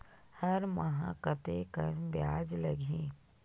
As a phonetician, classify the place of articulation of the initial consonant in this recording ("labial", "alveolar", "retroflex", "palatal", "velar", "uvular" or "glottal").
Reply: glottal